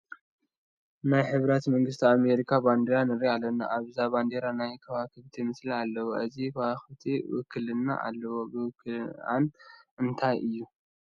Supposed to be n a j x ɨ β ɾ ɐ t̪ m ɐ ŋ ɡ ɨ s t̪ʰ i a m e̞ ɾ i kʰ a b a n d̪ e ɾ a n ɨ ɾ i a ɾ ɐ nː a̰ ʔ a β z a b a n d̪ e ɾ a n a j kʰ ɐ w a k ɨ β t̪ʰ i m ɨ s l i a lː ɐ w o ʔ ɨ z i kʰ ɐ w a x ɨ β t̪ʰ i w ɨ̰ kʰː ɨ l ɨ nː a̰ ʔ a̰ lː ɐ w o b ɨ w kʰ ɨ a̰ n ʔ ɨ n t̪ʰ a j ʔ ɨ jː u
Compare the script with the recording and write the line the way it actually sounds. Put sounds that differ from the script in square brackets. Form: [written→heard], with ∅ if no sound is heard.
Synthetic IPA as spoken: n a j [x→ħ] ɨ β ɾ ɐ t̪ m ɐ ŋ ɡ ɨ s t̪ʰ i a m e̞ ɾ i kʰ a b a n d̪ e ɾ a n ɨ ɾ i a [ɾ→l] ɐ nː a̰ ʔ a β z a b a n d̪ e ɾ a n a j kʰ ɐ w a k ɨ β t̪ʰ i m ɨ s l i a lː ɐ w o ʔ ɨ z i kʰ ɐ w a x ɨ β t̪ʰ i w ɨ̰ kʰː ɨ l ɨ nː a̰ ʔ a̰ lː ɐ w o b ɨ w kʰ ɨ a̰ n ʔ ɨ n t̪ʰ a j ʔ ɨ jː u